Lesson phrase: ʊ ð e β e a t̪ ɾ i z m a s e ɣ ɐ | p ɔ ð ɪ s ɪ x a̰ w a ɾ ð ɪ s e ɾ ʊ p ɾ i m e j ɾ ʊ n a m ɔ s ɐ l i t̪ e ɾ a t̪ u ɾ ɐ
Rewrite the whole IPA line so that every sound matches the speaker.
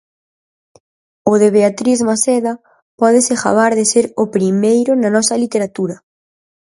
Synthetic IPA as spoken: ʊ ð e β e a t̪ ɾ i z m a s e ð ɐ | p ɔ ð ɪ s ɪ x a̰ β a ɾ ð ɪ s e ɾ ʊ p ɾ i m e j ɾ ʊ n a n ɔ s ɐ l i t̪ e ɾ a t̪ u ɾ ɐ

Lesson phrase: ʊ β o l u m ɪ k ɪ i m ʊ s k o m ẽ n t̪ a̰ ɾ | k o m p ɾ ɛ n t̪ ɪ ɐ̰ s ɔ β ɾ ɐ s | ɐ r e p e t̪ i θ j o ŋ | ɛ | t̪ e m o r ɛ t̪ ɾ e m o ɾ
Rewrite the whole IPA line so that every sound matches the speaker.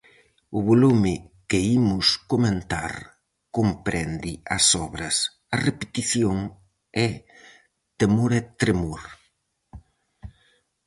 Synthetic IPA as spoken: ʊ β o l u m ɪ k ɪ i m ʊ s k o m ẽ n t̪ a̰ ɾ | k o m p ɾ ɛ n d̪ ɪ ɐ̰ s ɔ β ɾ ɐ s | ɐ r e p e t̪ i θ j o ŋ | ɛ | t̪ e m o ɾ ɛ t̪ ɾ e m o ɾ

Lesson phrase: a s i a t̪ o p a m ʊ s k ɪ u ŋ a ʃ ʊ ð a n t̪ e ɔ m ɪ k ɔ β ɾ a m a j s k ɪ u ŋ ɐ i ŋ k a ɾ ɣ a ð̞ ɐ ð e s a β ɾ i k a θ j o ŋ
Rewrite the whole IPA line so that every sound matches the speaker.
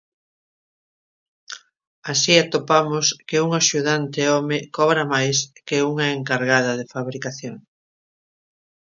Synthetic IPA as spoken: a s i a t̪ o p a m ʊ s k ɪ u ŋ a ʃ u ð a n t̪ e ɔ m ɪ k ɔ β ɾ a m a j s k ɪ u ŋ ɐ e ŋ k a ɾ ɣ a ð̞ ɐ ð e f a β ɾ i k a θ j o ŋ

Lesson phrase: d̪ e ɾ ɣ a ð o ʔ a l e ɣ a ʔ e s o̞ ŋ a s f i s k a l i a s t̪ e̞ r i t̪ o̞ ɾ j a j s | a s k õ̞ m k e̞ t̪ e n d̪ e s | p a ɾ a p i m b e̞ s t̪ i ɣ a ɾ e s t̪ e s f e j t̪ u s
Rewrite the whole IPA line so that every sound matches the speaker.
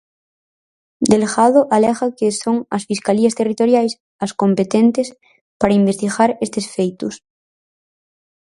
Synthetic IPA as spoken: d̪ e l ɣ a ð o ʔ a l e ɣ a k e s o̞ ŋ a s f i s k a l i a s t̪ e̞ r i t̪ o̞ ɾ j a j s | a s k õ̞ m p e̞ t̪ e n t̪ e s | p a ɾ a i m b e̞ s t̪ i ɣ a ɾ e s t̪ e s f e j t̪ u s

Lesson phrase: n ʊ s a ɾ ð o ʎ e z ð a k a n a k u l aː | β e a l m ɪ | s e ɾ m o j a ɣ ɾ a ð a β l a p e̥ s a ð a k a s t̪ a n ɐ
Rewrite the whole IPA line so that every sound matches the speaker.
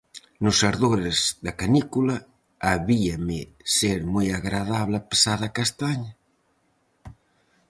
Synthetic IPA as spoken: n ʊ s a ɾ ð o ɾ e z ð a k a n i k u l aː | β i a m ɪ | s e ɾ m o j a ɣ ɾ a ð a β l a p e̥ s a ð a k a s t̪ a ɲ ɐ

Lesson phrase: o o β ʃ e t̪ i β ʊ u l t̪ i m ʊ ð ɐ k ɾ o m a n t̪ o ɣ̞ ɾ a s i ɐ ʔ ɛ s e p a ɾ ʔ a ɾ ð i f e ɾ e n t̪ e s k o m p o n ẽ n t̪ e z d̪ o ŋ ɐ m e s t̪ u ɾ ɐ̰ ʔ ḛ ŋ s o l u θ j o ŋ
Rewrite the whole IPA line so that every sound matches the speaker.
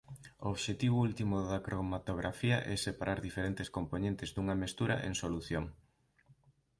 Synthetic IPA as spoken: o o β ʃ e t̪ i β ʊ u l t̪ i m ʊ ð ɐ k ɾ o m a t̪ o ɣ̞ ɾ a f i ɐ ʔ ɛ s e p a ɾ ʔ a ɾ ð i f e ɾ e n t̪ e s k o m p o n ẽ n t̪ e z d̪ u ŋ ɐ m e s t̪ u ɾ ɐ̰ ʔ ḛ ŋ s o l u θ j o ŋ

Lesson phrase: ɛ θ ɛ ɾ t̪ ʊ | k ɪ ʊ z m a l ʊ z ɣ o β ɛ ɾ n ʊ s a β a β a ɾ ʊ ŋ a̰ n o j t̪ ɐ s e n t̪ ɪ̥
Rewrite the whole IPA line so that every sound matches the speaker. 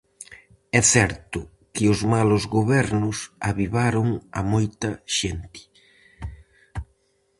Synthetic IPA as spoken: ɛ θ ɛ ɾ t̪ ʊ | k ɪ ʊ z m a l ʊ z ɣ o β ɛ ɾ n ʊ s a β i β a ɾ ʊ ŋ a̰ m o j t̪ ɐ ʃ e n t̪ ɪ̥

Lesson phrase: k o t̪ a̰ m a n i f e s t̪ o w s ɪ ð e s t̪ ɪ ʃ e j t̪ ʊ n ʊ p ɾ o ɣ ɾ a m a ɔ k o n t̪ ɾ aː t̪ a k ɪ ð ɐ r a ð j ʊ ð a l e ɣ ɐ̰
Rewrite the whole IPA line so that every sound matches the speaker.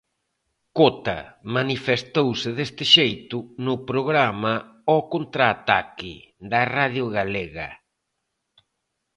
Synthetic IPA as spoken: k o t̪ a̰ m a n i f e s t̪ o w s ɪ ð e s t̪ ɪ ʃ e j t̪ ʊ n ʊ p ɾ o ɣ ɾ a m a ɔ k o n t̪ ɾ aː t̪ a k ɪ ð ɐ r a ð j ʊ ɣ a l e ɣ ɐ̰

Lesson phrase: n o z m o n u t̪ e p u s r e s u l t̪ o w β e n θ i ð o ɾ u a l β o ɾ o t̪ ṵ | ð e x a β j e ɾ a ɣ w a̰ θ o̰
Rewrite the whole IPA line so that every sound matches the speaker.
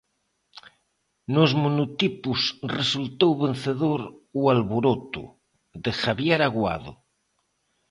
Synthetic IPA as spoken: n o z m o n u t̪ i p u s r e s u l t̪ o w β e n θ e ð o ɾ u a l β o ɾ o t̪ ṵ | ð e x a β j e ɾ a ɣ w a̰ ð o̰

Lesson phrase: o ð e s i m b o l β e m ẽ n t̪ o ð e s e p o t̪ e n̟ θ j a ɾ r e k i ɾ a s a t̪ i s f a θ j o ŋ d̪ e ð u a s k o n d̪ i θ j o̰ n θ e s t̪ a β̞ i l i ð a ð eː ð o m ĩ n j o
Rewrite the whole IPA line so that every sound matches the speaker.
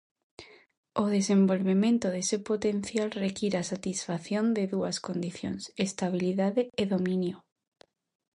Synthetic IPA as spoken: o ð e s e m b o l β e m ẽ n t̪ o ð e s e p o t̪ e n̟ θ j a l r e k i ɾ a s a t̪ i s f a θ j o n d̪ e ð u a s k o n d̪ i θ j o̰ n s e s t̪ a β̞ i l i ð a ð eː ð o m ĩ n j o

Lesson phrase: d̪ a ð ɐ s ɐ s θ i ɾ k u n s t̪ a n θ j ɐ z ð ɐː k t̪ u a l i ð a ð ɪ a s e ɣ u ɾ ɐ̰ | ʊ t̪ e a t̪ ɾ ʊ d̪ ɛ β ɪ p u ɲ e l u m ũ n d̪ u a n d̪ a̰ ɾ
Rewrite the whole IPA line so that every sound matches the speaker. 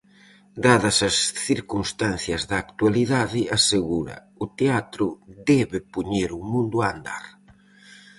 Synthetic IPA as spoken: d̪ a ð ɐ s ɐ s θ i ɾ k u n s t̪ a n θ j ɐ z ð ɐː k t̪ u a l i ð a ð ɪ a s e ɣ u ɾ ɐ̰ | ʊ t̪ e a t̪ ɾ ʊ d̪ ɛ β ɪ p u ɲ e ɾ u m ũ n d̪ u a n d̪ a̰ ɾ

